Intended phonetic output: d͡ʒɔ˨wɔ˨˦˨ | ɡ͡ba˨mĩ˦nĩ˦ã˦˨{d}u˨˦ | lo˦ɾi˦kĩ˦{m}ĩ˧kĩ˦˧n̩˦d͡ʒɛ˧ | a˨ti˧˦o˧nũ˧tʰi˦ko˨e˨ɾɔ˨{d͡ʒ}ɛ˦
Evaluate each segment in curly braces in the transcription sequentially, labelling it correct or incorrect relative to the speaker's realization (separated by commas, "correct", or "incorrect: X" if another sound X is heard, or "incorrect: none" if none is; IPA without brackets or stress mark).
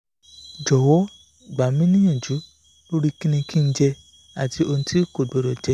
incorrect: d͡ʒ, incorrect: n, correct